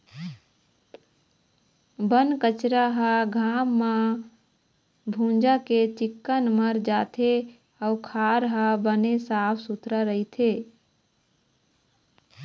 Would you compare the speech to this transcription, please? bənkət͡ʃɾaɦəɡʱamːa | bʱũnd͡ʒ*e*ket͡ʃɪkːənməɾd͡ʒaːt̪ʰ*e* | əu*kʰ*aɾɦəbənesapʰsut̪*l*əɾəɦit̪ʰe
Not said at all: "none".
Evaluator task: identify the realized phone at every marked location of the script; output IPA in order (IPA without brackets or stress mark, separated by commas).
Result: a, e, kʰ, ɾ